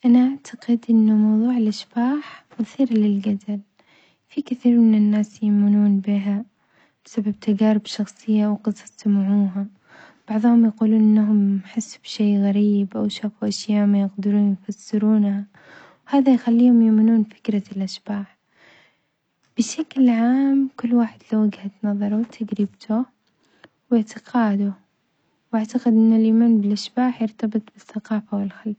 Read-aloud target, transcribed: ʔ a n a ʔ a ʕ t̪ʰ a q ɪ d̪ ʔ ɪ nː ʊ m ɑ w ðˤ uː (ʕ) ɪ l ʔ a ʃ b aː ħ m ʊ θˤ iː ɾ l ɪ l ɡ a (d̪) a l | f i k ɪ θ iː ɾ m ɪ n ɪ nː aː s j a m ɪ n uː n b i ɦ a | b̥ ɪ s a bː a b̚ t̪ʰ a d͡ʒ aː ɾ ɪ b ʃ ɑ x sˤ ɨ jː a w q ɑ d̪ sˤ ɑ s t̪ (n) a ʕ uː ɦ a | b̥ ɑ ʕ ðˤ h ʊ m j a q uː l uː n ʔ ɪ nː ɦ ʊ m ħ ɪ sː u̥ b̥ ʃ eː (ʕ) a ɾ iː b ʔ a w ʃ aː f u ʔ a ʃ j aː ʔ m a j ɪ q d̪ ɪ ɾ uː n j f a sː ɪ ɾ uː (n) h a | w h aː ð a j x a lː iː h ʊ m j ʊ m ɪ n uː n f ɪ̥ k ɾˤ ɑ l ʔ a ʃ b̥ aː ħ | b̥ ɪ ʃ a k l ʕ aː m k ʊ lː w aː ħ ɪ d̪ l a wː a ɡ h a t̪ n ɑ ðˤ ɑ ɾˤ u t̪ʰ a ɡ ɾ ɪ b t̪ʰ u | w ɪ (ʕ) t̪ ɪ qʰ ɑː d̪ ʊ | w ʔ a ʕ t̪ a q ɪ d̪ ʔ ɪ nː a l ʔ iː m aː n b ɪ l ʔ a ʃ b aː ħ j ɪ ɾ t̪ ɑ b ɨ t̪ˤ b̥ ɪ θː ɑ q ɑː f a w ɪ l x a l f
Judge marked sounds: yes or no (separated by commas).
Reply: yes, yes, no, no, yes, yes